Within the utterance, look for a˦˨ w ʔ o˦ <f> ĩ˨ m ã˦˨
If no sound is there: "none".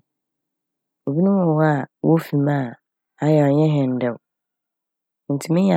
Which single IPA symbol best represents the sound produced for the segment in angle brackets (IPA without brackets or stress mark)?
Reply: f